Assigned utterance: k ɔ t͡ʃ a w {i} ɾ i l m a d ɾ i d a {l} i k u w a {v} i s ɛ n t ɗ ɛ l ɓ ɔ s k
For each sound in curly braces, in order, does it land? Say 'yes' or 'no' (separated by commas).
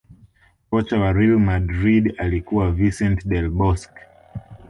no, yes, yes